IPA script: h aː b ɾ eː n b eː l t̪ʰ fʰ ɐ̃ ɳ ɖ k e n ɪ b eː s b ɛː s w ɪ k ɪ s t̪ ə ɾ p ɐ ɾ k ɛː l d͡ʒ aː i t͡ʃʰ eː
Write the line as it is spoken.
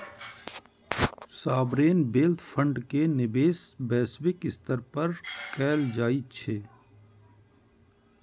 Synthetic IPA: s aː b ɾ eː n b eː l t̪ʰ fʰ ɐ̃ ɳ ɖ k e n ɪ b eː s b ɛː s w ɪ k ɪ s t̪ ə ɾ p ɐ ɾ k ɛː l d͡ʒ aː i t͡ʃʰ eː

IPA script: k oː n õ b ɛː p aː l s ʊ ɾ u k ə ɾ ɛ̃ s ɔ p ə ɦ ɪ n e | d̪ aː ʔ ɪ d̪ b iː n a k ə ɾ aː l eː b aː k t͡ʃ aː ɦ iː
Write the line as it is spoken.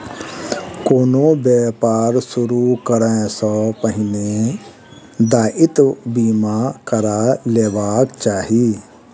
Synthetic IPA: k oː n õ b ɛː p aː ɾ s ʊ ɾ u k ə ɾ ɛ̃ s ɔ p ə ɦ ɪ n e | d̪ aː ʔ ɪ t̪ b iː m a k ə ɾ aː l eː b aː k t͡ʃ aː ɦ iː

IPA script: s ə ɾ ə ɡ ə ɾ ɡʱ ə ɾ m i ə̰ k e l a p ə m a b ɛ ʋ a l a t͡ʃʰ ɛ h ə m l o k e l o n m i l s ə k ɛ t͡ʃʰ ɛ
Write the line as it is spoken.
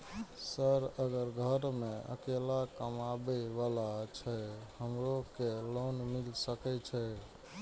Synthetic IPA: s ə ɾ ə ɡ ə ɾ ɡʱ ə ɾ m e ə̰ k e l a k ə m a b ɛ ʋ a l a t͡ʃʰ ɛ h ə m ɾ o k e l o n m i l s ə k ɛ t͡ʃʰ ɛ

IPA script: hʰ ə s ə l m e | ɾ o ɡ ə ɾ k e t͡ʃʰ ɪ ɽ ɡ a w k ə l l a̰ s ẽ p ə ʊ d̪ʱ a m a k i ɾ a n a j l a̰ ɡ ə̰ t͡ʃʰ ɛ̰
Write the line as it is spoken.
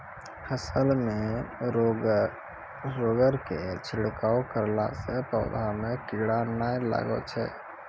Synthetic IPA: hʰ ə s ə l m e | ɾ o ɡ ə ɾ k e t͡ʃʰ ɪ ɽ k a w k ə ɾ l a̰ s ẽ p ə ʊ d̪ʱ a m e k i ɽ a n a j l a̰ ɡ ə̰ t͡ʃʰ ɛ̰

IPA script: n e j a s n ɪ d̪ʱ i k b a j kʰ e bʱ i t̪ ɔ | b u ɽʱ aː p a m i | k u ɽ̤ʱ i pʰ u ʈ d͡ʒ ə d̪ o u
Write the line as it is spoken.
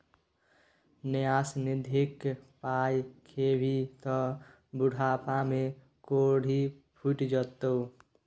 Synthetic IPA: n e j a s n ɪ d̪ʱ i k p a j kʰ e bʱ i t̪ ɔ | b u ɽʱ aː p a m e | k o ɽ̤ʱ i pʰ u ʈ d͡ʒ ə t̪ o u

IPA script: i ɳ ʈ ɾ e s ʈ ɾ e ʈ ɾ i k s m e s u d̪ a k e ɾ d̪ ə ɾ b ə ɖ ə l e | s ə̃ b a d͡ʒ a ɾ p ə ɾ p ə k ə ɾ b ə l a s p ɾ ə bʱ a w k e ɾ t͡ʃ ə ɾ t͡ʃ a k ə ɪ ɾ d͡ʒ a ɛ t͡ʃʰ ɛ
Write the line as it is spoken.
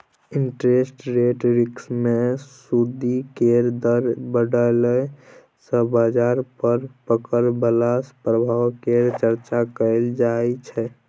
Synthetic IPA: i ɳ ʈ ɾ e s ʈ ɾ e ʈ ɾ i k s m e s u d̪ i k e ɾ d̪ ə ɾ b ə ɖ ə l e | s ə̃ b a d͡ʒ a ɾ p ə ɾ p ə k ə ɾ b ə l a s p ɾ ə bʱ a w k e ɾ t͡ʃ ə ɾ t͡ʃ a k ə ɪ l d͡ʒ a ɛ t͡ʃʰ ɛ

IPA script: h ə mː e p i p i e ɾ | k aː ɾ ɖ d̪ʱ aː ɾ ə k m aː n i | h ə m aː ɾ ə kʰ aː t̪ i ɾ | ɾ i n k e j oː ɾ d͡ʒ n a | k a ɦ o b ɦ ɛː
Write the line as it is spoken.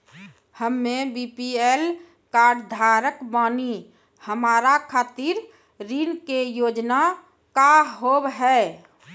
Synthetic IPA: h ə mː e b i p i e l | k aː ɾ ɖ d̪ʱ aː ɾ ə k b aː n i | h ə m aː ɾ a kʰ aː t̪ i ɾ | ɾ i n k e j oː d͡ʒ n a | k a ɦ o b ɦ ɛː

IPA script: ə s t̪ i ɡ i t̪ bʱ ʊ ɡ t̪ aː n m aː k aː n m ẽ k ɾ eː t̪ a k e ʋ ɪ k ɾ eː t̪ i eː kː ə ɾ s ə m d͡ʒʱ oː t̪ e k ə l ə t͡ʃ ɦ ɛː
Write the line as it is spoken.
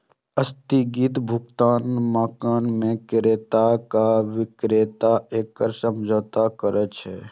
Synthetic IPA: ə s t̪ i ɡ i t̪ bʱ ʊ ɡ t̪ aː n m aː k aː n m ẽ k ɾ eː t̪ a k a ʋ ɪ k ɾ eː t̪ a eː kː ə ɾ s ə m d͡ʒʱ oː t̪ a k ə ɾ ə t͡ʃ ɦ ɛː

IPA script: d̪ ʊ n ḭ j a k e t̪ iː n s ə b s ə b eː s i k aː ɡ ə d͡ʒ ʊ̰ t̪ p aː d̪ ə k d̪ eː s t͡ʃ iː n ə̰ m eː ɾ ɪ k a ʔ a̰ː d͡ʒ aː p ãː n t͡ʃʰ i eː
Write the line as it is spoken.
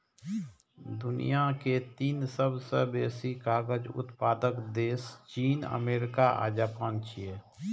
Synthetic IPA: d̪ ʊ n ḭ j a k e t̪ iː n s ə b s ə b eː s i k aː ɡ ə d͡ʒ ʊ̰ t̪ p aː d̪ ə k d̪ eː s t͡ʃ iː n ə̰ m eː ɾ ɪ k a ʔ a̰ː d͡ʒ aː p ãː n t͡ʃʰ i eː

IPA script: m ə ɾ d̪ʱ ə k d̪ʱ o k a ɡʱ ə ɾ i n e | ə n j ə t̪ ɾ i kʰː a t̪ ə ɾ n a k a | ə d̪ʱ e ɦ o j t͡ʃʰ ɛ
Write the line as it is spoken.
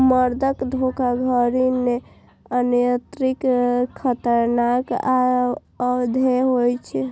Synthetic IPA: m ə ɾ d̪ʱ ə k d̪ʱ o k a ɡʱ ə ɾ i n e | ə n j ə t̪ ɾ i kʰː ə t̪ ə ɾ n a k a | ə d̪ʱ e ɦ o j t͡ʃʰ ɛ

